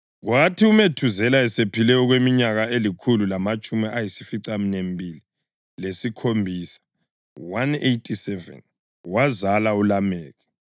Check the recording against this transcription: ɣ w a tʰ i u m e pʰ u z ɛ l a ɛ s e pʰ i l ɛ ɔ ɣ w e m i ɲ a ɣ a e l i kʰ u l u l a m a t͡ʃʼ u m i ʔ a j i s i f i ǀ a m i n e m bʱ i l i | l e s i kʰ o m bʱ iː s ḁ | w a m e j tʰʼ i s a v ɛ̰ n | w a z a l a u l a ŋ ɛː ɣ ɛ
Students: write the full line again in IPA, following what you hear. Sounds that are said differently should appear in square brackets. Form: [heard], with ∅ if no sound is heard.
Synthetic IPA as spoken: ɣ w a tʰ i u m e [tʰ] u z ɛ l a ɛ s e pʰ i l ɛ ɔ ɣ w e m i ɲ a ɣ a e l i kʰ u l u l a m a t͡ʃʼ u m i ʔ a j i s i f i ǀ a m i n e m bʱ i l i | l e s i kʰ o m bʱ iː s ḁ | w a [n] e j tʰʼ i s [ɛ] v ɛ̰ n | w a z a l a u l a [m] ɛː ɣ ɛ